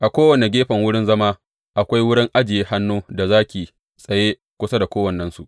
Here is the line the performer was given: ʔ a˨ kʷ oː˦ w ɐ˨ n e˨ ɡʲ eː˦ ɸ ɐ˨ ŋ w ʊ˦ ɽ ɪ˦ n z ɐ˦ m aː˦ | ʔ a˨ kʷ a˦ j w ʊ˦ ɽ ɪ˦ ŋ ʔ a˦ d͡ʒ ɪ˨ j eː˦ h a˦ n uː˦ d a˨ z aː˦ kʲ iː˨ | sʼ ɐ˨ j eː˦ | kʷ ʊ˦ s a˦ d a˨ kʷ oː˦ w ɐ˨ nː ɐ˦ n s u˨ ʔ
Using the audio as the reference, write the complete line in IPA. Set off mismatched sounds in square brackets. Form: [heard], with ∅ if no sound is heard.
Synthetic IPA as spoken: ʔ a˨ kʷ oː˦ w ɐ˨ n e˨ ɡʲ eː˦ ɸ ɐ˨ ŋ w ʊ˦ ɽ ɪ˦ n z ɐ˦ m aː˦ | ʔ a˨ kʷ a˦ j w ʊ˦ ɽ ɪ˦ ŋ ʔ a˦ d͡ʒ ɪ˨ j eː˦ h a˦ [nː] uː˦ d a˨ z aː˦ kʲ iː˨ | sʼ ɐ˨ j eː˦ | kʷ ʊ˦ s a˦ d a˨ kʷ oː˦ w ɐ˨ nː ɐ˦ n s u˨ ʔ